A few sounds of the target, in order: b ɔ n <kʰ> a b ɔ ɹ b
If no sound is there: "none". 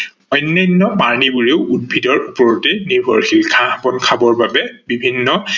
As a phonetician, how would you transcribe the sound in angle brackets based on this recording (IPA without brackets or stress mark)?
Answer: kʰ